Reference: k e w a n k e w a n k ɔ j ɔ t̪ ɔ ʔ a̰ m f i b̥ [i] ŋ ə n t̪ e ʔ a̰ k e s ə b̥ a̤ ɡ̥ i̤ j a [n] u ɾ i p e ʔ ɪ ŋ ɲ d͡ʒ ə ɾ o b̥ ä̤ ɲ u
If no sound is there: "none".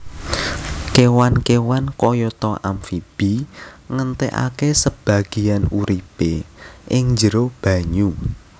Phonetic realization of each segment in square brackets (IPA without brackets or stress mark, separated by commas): i, n